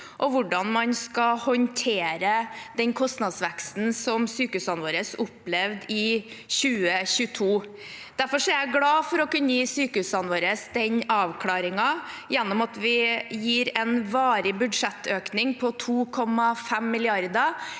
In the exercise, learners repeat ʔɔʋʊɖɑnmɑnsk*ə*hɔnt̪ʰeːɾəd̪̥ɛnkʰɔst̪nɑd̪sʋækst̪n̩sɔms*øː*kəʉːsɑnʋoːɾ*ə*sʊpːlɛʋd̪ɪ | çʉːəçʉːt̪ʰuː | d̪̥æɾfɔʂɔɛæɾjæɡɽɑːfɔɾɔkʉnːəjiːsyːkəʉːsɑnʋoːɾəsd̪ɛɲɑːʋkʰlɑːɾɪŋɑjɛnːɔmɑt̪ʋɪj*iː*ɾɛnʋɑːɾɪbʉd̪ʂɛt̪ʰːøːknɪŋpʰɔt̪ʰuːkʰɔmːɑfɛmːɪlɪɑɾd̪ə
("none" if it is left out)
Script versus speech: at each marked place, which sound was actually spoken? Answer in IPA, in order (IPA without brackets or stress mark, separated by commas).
ɑ, yː, ə, iː